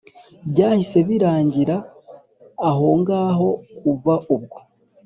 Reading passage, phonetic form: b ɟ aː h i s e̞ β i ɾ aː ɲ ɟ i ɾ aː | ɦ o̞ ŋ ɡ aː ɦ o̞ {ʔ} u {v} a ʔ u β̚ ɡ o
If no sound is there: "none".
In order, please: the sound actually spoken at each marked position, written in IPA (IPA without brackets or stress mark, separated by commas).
k, v